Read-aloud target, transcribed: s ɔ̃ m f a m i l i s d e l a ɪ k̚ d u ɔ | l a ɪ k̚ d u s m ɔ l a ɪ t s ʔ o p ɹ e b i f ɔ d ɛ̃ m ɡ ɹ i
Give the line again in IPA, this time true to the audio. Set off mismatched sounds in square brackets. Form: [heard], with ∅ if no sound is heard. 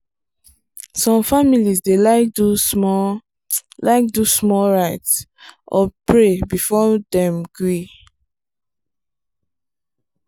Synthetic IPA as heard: s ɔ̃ m f a m i l i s d e l a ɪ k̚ d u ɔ | l a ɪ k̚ d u s m ɔ [ɹ] a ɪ t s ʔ [ɔ] p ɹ e b i f ɔ d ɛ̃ m ɡ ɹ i